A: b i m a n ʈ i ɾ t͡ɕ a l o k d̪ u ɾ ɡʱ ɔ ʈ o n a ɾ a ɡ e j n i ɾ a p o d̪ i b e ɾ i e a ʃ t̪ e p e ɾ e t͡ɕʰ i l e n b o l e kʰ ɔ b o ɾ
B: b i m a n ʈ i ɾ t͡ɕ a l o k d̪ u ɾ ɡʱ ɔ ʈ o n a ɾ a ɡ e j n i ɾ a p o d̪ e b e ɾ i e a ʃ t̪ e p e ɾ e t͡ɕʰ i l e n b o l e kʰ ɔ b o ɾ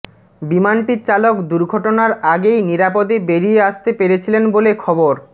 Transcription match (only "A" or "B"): B